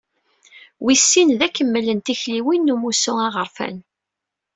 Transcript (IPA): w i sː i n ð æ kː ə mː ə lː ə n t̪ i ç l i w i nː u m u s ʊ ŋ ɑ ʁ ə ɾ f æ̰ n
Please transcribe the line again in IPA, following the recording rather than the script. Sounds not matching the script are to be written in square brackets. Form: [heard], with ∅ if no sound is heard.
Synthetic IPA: w i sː i n ð æ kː ə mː ə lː ə n t̪ i ç l i w i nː u m u s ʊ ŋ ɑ ʁ ə ɾ f æ̰ n